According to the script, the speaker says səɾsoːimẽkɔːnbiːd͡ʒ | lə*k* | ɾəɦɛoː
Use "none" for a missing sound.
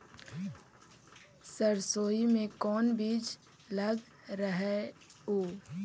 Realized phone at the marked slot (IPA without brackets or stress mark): ɡ